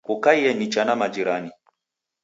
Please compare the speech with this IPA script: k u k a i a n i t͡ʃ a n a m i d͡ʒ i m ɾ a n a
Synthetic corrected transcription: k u k a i ɛ n i t͡ʃ a n a m a d͡ʒ i ɾ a n i